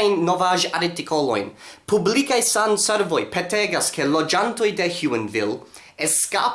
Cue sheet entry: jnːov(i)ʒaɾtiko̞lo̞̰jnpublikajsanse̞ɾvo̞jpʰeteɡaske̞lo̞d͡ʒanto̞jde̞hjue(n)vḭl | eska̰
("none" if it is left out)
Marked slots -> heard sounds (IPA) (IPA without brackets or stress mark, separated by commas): a, n